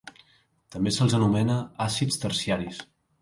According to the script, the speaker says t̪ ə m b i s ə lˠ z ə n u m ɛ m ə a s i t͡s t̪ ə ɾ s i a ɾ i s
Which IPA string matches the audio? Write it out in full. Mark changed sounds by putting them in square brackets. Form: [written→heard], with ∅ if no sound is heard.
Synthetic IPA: t̪ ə m b [i→e] s ə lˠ z ə n u m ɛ [m→n] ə a s i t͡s t̪ ə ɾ s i a ɾ i s